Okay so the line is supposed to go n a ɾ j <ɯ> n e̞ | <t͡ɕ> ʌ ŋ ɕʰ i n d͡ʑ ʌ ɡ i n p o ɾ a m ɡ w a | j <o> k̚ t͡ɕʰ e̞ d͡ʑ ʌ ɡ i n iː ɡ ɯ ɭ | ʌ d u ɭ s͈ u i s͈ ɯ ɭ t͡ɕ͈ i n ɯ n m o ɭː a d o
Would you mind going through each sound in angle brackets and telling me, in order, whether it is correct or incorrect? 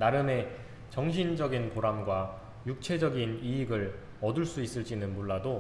correct, correct, incorrect

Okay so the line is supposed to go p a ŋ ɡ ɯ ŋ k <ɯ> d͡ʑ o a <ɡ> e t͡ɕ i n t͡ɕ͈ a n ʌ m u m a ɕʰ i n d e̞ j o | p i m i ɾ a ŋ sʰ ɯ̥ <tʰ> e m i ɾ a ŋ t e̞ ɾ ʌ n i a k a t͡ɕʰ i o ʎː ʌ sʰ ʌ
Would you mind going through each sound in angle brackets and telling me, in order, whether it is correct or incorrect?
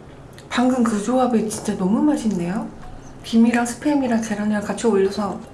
correct, incorrect, incorrect

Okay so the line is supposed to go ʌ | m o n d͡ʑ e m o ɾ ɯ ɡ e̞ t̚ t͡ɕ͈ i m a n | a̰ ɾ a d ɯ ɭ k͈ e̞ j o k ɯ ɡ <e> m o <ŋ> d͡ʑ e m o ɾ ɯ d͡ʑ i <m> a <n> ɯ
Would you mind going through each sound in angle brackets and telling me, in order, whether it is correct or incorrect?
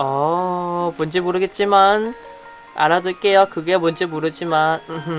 correct, incorrect, correct, correct

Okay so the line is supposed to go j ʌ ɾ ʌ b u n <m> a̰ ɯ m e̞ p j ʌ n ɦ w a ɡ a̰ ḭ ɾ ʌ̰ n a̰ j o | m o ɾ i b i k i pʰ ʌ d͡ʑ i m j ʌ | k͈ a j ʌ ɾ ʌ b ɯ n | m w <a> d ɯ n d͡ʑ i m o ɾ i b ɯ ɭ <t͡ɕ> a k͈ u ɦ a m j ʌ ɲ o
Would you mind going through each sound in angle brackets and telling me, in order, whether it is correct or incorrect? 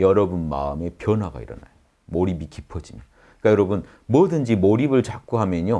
correct, incorrect, correct

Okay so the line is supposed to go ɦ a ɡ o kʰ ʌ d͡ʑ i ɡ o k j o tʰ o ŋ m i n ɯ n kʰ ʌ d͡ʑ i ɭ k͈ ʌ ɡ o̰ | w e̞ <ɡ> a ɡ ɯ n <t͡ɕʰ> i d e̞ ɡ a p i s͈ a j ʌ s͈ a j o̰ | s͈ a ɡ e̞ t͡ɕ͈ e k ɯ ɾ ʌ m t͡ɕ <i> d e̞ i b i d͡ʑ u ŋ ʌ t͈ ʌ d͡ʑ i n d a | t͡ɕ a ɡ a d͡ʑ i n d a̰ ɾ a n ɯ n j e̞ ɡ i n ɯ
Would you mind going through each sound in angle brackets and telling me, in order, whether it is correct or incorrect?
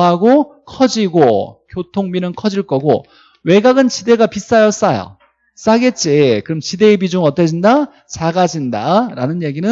correct, incorrect, correct

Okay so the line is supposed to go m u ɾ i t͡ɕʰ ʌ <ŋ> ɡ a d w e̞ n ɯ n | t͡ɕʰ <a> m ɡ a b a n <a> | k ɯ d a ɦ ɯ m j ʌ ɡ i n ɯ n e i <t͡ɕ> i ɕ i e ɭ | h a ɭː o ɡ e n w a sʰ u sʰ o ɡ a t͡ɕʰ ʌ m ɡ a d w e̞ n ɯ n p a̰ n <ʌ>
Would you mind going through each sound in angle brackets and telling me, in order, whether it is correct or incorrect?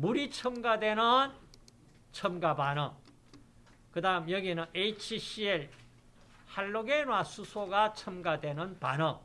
incorrect, incorrect, incorrect, incorrect, correct

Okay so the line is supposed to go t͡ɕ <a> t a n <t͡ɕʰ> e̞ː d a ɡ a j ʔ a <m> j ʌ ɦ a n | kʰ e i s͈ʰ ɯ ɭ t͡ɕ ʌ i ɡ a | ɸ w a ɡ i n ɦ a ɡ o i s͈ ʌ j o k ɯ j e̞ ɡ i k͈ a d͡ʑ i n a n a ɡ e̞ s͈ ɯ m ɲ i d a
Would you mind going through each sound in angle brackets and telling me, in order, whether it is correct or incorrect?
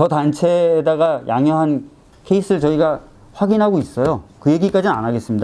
incorrect, correct, incorrect

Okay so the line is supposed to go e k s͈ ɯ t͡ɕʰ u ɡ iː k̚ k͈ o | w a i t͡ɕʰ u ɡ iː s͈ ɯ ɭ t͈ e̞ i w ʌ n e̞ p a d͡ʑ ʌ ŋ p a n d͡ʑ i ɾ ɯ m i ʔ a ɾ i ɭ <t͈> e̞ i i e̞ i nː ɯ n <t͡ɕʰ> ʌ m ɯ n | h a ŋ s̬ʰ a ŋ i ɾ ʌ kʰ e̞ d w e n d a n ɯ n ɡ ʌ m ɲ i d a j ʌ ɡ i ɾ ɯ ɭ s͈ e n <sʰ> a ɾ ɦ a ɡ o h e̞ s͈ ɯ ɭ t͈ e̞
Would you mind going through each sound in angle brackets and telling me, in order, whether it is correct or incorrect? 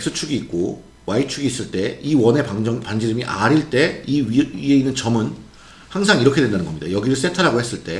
correct, incorrect, incorrect

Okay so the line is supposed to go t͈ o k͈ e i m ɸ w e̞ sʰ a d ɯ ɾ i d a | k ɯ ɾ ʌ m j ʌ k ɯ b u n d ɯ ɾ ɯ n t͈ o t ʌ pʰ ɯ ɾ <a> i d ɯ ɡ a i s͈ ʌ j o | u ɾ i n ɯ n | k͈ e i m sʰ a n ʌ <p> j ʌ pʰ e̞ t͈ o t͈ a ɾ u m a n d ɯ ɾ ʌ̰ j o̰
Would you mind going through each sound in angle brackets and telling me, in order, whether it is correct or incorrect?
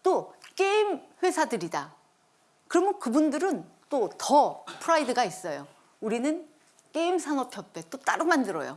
correct, incorrect

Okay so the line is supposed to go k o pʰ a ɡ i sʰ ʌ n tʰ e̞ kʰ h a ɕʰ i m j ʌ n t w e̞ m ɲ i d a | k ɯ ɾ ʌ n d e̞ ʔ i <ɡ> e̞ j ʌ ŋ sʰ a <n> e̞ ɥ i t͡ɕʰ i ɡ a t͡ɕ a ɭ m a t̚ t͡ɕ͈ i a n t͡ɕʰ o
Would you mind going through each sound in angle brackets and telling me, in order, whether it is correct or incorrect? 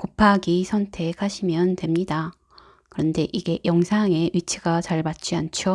correct, incorrect

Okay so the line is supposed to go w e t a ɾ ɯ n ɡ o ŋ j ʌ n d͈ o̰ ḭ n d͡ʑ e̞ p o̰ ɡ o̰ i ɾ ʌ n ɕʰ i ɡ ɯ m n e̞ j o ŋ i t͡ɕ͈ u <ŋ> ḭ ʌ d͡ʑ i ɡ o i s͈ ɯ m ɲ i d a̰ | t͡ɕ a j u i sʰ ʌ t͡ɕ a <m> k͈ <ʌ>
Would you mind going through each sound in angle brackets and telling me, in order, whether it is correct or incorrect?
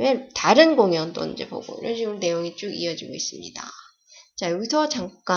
incorrect, incorrect, incorrect

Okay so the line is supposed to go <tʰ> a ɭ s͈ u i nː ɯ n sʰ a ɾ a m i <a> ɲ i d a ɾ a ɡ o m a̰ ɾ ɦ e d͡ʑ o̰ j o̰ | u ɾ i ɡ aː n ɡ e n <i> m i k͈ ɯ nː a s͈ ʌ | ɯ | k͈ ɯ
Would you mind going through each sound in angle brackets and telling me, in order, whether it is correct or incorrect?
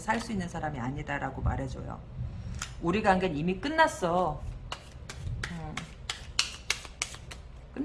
incorrect, correct, correct

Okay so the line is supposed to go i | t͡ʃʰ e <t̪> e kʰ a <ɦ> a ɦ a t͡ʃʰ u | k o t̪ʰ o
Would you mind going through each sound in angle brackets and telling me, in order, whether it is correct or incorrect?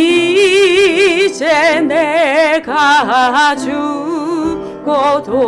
incorrect, correct

